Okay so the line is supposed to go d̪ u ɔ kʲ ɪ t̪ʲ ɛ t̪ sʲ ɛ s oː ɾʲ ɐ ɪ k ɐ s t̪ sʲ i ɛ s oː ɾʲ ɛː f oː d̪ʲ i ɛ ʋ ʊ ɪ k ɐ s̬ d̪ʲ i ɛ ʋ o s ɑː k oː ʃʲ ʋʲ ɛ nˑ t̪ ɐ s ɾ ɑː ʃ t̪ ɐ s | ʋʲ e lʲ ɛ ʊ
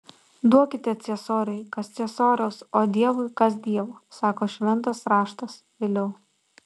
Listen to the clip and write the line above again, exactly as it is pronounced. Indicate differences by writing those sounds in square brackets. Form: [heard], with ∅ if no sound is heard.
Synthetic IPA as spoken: d̪ u ɔ kʲ ɪ t̪ʲ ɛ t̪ sʲ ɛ s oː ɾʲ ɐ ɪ k ɐ s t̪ sʲ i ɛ s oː ɾʲ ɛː [s] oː d̪ʲ i ɛ ʋ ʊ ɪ k ɐ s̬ d̪ʲ i ɛ ʋ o s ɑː k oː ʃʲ ʋʲ ɛ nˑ t̪ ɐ s ɾ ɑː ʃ t̪ ɐ s | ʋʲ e lʲ ɛ ʊ